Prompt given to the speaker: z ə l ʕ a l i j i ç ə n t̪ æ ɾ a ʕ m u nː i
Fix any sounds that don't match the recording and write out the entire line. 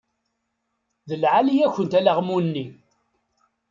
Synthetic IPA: ð ə l ʕ a l i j æ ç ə n t̪ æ l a ʁ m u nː i